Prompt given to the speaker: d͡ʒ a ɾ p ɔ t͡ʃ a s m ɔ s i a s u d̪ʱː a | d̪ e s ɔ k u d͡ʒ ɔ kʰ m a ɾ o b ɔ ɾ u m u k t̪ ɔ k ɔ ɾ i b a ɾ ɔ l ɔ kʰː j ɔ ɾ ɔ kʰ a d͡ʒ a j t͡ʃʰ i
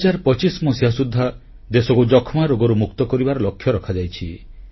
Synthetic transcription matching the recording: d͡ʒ a ɾ p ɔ t͡ʃ i s m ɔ s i a s u d̪ʱː a | d̪ e s ɔ k u d͡ʒ ɔ kʰ m a ɾ o ɡ ɔ ɾ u m u k t̪ ɔ k ɔ ɾ i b a ɾ ɔ l ɔ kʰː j ɔ ɾ ɔ kʰ a d͡ʒ a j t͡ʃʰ i